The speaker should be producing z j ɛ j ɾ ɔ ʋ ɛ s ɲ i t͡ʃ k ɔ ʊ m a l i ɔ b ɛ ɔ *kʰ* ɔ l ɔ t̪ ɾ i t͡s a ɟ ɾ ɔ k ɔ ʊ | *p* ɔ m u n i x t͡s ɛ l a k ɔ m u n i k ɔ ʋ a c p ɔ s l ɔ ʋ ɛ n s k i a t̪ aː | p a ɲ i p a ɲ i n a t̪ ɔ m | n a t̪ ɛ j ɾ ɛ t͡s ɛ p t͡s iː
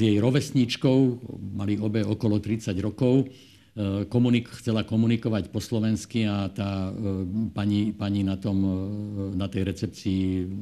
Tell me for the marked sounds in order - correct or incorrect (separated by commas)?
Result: incorrect, incorrect